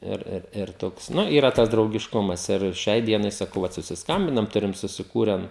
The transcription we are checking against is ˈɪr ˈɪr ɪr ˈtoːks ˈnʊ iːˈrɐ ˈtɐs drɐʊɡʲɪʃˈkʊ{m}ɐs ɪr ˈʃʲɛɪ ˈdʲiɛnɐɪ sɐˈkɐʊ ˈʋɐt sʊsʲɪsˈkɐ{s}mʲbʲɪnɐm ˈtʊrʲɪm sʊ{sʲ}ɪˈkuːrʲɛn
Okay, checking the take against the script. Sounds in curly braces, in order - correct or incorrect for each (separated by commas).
correct, incorrect, correct